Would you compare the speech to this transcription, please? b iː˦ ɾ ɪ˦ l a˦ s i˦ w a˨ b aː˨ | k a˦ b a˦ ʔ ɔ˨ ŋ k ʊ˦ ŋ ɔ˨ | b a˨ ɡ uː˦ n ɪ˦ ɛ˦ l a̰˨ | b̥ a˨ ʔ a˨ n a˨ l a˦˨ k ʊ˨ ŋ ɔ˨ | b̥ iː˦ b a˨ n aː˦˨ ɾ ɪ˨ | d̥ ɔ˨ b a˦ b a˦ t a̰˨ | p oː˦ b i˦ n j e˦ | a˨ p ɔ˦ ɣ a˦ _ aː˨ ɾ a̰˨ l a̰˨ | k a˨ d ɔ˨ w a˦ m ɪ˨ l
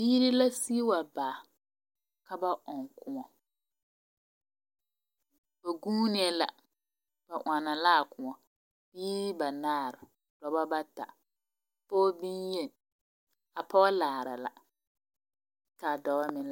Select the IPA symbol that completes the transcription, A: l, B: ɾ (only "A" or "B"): A